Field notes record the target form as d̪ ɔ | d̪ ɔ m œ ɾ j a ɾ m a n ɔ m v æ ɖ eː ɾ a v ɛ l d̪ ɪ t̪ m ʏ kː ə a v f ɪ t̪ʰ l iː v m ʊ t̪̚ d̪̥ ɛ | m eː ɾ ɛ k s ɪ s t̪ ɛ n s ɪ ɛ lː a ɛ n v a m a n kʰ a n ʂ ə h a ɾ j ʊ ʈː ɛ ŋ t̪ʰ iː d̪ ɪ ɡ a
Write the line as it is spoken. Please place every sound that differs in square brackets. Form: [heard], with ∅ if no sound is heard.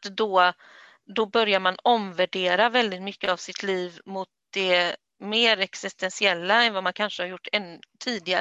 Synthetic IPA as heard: d̪ ɔ | d̪ ɔ [b] œ ɾ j a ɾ m a n ɔ m v æ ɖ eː ɾ a v ɛ l d̪ ɪ t̪ m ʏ kː ə a v [s] ɪ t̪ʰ l iː v m ʊ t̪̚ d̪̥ ɛ | m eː ɾ ɛ k s ɪ s t̪ ɛ n s ɪ ɛ lː a ɛ n v a m a n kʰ a n ʂ ə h a ɾ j ʊ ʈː ɛ [n] t̪ʰ iː d̪ ɪ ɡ a